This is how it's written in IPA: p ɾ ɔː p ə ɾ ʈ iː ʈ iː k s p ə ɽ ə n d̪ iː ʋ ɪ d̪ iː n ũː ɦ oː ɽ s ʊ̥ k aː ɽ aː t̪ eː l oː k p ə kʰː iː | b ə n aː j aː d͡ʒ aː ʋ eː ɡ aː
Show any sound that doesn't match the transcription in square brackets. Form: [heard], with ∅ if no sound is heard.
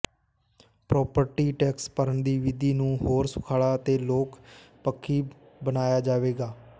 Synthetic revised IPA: p ɾ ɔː p ə ɾ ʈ iː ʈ [ɛː] k s p ə [ɾ] ə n d̪ iː ʋ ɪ d̪ iː n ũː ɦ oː [ɾ] s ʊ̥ [kʰ] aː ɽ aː t̪ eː l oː k p ə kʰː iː | b ə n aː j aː d͡ʒ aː ʋ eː ɡ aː